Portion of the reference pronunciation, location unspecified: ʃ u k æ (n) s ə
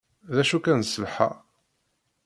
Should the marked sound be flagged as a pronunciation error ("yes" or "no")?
no